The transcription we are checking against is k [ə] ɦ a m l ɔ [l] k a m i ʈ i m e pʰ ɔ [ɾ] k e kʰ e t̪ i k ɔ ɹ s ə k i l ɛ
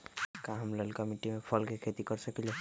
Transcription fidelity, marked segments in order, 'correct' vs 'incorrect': incorrect: a, correct, incorrect: l

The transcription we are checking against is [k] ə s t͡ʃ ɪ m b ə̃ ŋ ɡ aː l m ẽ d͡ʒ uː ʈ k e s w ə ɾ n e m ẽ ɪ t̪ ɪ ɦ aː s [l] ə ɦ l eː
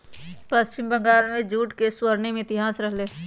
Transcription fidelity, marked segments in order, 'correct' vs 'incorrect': incorrect: p, incorrect: ɾ

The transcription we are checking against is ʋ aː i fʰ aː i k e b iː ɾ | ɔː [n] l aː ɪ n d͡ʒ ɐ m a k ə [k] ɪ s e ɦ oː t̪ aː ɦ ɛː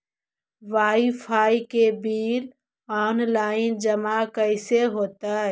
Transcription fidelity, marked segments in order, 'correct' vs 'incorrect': correct, incorrect: none

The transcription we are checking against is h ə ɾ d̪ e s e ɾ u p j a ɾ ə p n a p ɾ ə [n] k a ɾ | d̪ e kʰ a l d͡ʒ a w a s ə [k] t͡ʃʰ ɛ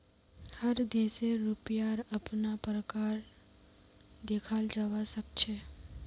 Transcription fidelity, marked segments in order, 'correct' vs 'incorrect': incorrect: none, correct

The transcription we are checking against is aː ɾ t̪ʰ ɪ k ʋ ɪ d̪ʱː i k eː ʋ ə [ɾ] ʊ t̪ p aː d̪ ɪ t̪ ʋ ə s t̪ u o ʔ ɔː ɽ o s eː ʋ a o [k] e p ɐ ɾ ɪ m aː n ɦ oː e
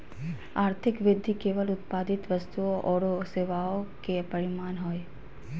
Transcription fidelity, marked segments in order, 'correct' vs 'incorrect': incorrect: l, correct

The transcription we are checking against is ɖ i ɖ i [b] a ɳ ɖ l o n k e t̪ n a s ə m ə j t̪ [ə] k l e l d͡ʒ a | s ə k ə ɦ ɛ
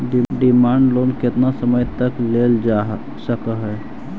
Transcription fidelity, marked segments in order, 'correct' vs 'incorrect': incorrect: m, correct

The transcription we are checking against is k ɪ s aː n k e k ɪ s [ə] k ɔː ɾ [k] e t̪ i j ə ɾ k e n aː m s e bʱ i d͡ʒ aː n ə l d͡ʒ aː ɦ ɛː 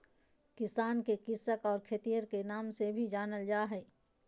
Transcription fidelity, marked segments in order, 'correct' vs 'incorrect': correct, incorrect: kʰ

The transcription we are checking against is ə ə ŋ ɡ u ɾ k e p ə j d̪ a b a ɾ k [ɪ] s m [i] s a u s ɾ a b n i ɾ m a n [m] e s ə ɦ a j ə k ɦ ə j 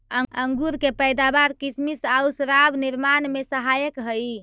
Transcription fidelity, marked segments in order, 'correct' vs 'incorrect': incorrect: i, correct, correct

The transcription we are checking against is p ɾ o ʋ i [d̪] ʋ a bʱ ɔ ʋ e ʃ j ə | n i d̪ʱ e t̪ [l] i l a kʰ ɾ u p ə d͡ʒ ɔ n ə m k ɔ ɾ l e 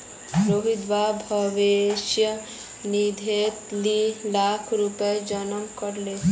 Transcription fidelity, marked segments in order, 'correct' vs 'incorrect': correct, correct

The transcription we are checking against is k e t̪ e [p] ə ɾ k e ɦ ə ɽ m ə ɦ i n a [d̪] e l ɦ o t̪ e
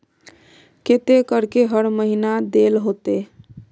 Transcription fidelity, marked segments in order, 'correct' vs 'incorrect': incorrect: k, correct

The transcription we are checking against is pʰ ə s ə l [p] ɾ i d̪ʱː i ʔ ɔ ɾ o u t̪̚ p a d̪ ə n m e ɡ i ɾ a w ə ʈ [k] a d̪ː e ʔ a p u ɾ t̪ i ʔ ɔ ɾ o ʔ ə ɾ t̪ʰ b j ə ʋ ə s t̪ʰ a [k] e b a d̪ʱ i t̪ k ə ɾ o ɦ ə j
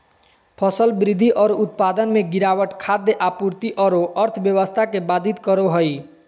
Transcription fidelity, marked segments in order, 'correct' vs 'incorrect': incorrect: b, incorrect: kʰ, correct

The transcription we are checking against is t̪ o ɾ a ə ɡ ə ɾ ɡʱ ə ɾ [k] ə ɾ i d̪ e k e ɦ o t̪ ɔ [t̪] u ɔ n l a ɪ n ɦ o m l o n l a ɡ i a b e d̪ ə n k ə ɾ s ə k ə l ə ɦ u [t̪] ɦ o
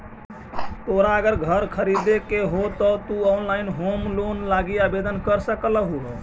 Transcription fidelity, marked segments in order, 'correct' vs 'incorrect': incorrect: kʰ, correct, incorrect: none

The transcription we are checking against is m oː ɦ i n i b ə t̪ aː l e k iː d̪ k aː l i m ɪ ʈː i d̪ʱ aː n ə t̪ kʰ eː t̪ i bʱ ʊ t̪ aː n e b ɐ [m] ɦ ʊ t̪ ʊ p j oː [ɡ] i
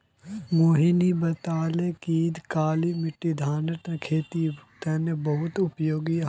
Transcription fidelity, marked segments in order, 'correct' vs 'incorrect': incorrect: none, correct

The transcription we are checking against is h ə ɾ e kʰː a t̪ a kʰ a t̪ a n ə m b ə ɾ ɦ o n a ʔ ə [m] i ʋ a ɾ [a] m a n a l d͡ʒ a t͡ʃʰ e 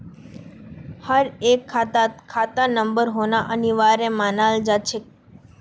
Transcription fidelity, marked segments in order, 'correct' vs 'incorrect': incorrect: n, incorrect: e

